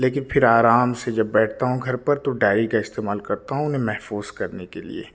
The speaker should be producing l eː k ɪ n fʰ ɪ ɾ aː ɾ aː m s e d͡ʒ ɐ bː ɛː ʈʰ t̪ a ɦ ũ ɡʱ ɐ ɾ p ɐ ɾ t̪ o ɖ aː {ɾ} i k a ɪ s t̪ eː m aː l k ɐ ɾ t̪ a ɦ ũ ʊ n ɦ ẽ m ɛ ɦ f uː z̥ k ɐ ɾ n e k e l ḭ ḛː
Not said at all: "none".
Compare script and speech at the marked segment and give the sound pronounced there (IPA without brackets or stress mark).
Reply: ɾ